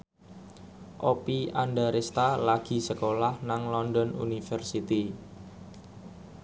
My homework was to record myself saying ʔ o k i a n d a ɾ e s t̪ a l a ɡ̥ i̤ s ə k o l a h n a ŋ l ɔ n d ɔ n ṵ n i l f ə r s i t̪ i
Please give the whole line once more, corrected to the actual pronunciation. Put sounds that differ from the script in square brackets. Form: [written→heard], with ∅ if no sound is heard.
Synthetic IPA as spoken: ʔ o [k→p] i a n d a ɾ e s t̪ a l a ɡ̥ i̤ s ə k o l a h n a ŋ l ɔ n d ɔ n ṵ n i [l→∅] f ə r s i t̪ i